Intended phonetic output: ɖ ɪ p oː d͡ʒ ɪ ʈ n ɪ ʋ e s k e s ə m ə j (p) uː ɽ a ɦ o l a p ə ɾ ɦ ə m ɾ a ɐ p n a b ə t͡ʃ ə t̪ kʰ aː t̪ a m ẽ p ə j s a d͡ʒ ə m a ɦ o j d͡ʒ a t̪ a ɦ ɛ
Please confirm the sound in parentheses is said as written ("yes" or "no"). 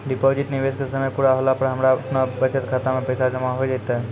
yes